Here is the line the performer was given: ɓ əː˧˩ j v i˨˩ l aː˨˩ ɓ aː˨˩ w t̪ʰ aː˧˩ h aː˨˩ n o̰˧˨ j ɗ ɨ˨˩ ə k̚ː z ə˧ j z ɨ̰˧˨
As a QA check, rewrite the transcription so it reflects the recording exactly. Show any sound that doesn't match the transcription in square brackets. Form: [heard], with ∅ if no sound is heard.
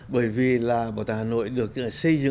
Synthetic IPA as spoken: ɓ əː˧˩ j v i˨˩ l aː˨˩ ɓ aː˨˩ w [t̪] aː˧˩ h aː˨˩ n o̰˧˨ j ɗ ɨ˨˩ ə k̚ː [s] ə˧ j z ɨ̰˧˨